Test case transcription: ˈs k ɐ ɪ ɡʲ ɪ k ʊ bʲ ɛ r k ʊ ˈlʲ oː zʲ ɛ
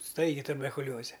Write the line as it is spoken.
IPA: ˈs t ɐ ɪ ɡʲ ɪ t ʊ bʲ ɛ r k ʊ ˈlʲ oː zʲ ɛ